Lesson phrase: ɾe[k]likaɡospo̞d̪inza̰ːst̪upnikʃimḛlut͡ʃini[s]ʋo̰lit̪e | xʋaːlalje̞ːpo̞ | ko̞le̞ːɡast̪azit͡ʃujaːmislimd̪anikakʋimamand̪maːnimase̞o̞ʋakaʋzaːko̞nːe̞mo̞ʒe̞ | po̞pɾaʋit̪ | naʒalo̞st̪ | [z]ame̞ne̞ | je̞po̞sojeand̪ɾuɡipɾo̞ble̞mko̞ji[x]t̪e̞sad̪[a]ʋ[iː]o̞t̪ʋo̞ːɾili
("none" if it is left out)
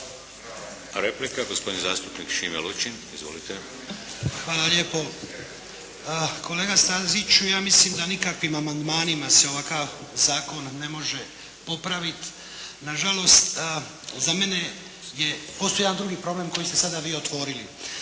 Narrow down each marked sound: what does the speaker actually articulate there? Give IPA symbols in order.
p, z, z, s, a, iː

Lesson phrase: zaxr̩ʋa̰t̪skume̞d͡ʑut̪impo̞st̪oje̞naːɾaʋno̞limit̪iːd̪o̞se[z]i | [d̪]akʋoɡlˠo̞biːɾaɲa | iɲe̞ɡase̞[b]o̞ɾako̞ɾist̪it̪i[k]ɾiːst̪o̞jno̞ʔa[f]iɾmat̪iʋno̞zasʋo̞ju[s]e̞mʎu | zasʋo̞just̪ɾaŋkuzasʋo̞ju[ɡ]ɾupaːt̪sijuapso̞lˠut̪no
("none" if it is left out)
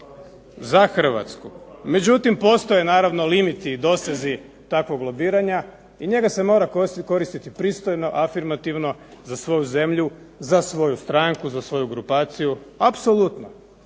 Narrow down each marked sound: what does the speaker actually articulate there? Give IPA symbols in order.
z, t̪, m, p, f, z, ɡ

